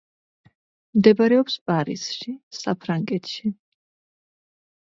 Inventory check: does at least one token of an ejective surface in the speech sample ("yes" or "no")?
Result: yes